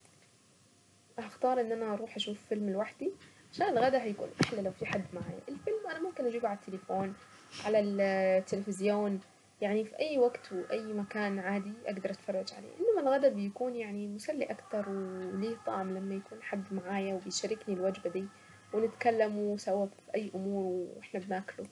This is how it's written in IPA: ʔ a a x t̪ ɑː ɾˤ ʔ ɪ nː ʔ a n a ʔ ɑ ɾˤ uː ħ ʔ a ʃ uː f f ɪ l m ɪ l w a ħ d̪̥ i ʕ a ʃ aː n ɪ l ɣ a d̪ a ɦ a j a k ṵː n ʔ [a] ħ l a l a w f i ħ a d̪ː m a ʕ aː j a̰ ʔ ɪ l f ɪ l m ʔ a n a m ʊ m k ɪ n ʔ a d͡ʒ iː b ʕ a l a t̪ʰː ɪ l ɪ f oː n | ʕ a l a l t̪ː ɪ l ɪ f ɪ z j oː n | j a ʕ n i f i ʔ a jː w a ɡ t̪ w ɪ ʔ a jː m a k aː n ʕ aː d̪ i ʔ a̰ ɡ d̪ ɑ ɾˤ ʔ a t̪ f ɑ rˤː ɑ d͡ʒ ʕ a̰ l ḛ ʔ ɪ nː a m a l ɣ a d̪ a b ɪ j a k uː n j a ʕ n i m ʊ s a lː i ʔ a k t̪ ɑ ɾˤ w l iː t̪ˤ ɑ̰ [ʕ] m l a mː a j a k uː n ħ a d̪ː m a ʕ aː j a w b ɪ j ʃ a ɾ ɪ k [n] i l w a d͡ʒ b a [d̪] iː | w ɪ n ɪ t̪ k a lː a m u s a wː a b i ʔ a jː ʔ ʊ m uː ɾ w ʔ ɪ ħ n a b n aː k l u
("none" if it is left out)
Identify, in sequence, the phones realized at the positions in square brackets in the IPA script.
a, ʕ, n, d̪

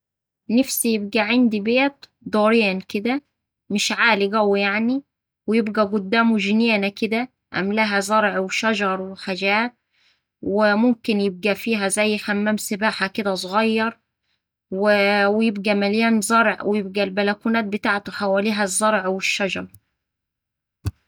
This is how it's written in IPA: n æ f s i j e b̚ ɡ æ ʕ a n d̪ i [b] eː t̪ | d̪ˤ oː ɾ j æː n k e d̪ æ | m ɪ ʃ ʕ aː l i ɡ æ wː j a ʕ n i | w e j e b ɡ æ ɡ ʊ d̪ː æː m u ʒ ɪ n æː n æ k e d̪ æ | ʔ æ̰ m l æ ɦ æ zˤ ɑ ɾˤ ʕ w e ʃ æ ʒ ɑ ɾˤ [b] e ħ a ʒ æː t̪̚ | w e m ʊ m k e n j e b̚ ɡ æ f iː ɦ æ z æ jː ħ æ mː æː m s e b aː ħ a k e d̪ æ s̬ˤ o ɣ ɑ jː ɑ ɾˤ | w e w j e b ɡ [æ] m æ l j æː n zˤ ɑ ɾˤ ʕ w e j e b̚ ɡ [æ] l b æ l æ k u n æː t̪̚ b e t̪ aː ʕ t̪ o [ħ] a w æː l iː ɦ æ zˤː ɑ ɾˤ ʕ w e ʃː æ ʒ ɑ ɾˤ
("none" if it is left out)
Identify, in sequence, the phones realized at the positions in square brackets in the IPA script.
b, w, æ, æ, ħ

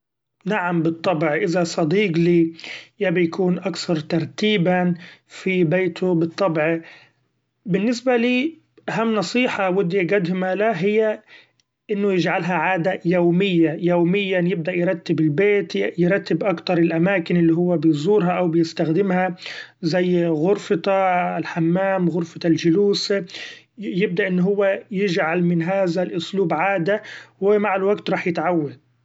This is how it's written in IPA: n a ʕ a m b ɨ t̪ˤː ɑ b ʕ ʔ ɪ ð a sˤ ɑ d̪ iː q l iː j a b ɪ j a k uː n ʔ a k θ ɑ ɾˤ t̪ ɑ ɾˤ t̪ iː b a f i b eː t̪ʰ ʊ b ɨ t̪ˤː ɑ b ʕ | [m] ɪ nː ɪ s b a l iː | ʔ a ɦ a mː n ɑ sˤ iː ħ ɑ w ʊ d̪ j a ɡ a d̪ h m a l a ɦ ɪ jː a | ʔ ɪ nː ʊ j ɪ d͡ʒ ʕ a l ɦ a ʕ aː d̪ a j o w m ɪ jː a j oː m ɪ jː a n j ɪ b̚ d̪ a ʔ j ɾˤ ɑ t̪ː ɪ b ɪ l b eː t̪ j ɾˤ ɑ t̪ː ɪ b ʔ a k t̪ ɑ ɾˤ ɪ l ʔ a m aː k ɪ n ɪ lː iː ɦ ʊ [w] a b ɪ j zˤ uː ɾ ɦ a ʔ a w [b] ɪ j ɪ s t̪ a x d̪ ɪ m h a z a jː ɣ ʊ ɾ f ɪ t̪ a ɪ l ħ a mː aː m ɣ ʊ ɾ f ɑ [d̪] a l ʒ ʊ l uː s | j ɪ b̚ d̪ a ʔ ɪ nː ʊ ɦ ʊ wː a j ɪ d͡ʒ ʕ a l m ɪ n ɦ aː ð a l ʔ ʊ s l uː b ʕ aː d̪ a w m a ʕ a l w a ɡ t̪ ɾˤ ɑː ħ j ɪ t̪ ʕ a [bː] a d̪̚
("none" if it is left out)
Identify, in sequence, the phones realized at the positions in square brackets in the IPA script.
b, wː, b, t̪, wː

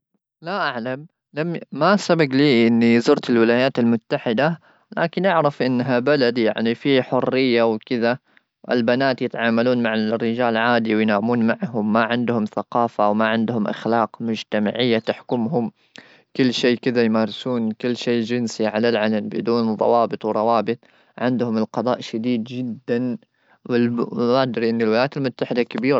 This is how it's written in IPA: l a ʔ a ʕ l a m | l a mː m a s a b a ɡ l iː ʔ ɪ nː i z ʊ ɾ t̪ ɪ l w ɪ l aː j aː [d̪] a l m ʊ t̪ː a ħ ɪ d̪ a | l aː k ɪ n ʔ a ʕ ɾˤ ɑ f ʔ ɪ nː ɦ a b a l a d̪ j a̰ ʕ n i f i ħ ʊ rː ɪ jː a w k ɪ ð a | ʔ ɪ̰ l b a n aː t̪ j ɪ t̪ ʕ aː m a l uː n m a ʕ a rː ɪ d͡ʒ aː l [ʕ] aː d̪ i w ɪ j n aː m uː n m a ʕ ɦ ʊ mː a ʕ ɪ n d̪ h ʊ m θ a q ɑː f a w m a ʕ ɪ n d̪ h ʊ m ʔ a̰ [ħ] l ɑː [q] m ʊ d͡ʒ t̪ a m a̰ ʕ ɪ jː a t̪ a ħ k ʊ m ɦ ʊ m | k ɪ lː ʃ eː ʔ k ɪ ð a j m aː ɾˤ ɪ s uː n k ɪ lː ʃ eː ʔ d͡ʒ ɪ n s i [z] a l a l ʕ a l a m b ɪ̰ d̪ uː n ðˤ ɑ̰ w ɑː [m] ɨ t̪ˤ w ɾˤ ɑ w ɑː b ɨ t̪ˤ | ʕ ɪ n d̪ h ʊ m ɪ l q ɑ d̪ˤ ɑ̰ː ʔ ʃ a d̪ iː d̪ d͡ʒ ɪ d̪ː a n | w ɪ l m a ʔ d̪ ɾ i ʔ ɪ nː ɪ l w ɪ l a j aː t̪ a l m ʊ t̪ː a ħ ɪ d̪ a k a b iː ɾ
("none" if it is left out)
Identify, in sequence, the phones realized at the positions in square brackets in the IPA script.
t̪, ʕ, x, q, ʕ, b

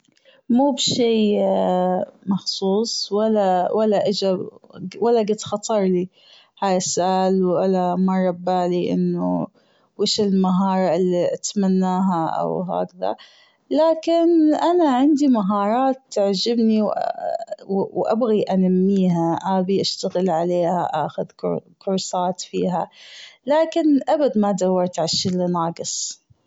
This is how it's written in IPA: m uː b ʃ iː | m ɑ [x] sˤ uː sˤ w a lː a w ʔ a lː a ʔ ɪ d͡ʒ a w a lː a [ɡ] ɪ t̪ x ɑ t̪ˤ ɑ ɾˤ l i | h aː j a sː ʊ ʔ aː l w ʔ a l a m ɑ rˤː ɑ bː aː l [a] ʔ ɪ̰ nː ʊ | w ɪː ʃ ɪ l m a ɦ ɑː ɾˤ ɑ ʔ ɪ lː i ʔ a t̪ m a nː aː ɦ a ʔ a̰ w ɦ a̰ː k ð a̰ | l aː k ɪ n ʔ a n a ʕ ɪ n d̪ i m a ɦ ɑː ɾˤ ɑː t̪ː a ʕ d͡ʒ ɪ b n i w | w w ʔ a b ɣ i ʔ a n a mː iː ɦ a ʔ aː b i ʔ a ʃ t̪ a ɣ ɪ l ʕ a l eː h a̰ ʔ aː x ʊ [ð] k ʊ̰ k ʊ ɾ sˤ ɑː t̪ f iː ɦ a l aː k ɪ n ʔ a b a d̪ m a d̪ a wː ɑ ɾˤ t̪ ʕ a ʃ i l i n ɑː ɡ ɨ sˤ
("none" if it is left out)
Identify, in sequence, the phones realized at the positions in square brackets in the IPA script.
x, ɡ, i, ð

